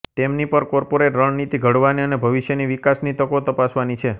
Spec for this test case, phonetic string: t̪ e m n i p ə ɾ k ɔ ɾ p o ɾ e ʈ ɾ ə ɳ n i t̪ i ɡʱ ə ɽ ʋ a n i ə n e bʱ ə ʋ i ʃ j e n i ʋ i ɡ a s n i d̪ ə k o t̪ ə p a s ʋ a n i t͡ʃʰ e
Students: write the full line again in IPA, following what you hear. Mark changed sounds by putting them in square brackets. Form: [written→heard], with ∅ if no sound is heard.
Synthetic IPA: t̪ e m n i p ə ɾ k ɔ ɾ p o ɾ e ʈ ɾ ə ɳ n i t̪ i ɡʱ ə ɽ ʋ a n i ə n e bʱ ə ʋ i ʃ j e n i ʋ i [ɡ→k] a s n i [d̪→t̪] ə k o t̪ ə p a s ʋ a n i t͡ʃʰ e